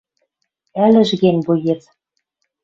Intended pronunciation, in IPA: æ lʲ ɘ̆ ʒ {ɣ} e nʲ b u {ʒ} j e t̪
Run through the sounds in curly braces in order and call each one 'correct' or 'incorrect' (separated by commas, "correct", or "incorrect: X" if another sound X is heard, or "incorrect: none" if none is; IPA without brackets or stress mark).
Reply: correct, incorrect: none